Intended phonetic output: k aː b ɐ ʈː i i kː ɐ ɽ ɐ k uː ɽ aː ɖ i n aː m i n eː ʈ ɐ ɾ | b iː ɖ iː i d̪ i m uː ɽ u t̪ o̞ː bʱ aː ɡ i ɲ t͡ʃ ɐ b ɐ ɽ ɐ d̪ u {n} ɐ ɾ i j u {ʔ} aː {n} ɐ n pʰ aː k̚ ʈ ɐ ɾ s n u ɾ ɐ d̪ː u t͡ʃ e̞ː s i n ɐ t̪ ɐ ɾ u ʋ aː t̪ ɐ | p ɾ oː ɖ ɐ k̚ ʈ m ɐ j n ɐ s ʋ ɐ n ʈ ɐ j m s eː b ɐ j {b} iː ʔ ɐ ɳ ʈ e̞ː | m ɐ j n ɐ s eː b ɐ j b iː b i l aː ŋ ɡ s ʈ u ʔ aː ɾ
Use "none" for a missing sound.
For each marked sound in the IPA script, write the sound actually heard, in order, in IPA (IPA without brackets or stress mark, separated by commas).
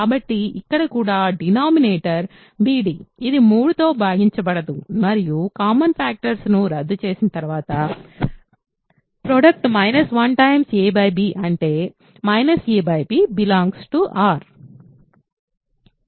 m, k, m, b